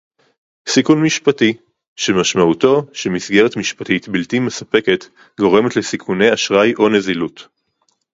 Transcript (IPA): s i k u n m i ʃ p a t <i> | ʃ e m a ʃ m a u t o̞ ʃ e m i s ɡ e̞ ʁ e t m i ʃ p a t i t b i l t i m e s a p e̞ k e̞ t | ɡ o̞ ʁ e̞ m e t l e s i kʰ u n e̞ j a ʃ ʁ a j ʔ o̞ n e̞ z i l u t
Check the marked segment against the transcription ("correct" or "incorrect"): correct